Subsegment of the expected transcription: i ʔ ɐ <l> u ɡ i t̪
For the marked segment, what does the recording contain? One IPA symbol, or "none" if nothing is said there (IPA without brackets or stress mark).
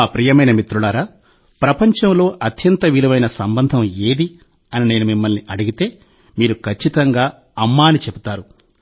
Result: ɽ